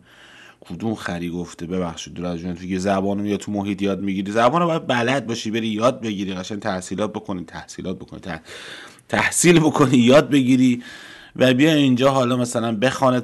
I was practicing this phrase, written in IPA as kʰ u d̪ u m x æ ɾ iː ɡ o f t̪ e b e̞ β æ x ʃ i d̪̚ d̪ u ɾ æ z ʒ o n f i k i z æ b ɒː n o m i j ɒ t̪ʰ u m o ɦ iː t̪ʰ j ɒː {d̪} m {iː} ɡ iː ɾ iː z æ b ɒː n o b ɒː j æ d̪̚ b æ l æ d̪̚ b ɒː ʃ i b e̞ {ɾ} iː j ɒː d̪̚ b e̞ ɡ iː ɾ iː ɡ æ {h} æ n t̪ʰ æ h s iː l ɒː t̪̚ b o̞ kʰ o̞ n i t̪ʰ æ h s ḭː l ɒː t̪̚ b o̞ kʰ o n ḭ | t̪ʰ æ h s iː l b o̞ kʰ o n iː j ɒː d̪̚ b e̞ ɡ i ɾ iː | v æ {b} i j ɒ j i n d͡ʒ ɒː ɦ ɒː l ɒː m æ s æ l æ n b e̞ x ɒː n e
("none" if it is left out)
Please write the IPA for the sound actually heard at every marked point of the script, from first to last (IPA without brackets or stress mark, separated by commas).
d̪, i, ɾ, ʃ, b